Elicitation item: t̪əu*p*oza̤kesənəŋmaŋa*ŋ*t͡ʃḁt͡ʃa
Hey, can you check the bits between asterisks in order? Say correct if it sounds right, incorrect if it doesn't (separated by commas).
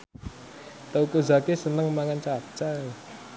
incorrect, incorrect